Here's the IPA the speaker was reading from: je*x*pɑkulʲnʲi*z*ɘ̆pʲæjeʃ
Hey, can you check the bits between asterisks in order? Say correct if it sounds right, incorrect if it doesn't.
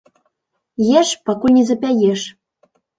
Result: incorrect, correct

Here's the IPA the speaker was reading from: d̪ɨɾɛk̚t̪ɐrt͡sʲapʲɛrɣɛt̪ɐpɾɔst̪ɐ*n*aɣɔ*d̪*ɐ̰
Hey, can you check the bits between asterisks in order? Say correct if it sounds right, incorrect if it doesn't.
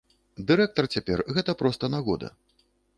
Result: correct, correct

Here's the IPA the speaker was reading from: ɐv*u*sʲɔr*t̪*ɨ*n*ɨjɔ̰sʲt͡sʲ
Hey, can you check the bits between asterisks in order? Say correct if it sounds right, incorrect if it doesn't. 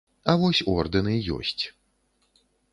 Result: incorrect, incorrect, correct

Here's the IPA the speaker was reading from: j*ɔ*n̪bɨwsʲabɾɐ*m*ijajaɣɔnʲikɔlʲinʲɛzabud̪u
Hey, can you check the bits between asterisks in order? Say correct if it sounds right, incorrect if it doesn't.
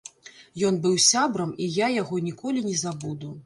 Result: correct, correct

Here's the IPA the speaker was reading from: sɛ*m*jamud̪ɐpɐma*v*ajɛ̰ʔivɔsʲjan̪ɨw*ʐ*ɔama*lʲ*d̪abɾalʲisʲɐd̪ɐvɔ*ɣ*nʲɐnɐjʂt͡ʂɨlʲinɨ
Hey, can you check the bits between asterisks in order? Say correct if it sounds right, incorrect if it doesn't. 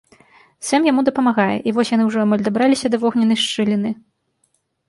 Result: correct, incorrect, correct, correct, correct

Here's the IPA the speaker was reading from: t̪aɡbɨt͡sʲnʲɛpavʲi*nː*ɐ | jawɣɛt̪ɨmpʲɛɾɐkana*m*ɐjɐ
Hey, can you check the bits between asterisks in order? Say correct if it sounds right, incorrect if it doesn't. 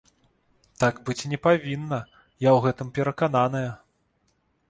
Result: correct, incorrect

